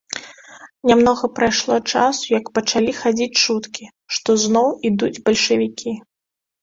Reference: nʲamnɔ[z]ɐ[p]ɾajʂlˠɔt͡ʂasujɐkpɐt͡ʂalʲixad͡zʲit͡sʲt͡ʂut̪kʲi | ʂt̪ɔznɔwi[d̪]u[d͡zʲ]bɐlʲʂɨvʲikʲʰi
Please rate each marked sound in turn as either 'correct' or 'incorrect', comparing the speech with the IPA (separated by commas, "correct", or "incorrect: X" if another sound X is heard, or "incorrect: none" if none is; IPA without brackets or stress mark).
incorrect: ɣ, correct, correct, correct